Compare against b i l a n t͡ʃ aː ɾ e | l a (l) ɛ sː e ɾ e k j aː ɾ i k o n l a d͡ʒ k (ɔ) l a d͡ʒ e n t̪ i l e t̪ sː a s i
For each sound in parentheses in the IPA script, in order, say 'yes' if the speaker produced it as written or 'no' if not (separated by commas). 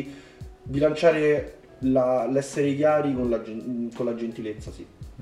yes, no